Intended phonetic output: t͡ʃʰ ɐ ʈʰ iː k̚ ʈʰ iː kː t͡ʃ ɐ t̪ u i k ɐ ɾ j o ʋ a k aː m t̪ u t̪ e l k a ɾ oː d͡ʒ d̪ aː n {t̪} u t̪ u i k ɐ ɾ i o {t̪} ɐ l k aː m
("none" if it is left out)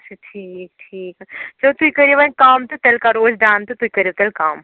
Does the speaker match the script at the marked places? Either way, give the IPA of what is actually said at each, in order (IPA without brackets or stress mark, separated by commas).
t̪, t̪